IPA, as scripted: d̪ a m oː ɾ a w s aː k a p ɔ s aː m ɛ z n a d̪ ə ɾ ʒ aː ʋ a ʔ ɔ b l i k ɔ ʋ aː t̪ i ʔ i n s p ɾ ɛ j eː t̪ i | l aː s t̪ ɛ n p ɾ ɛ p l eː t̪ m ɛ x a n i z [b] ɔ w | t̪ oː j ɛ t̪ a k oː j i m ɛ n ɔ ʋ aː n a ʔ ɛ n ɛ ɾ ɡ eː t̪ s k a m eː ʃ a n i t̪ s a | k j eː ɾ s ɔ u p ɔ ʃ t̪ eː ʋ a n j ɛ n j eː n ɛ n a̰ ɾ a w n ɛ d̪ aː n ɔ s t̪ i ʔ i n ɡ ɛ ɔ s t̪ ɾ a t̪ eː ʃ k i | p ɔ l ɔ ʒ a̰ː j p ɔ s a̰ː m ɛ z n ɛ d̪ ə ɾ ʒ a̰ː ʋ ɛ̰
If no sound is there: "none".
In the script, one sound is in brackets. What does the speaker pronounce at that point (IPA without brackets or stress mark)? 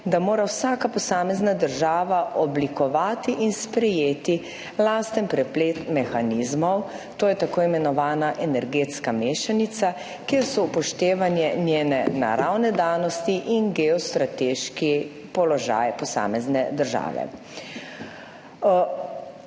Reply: m